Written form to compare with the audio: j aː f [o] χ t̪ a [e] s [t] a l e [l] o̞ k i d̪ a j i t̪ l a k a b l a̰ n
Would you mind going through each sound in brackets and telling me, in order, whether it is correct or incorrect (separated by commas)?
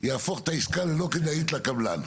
correct, incorrect, incorrect, correct